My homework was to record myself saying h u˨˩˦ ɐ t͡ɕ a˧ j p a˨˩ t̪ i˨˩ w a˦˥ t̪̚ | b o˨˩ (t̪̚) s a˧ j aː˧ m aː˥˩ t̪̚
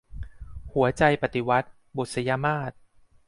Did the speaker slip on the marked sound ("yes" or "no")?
no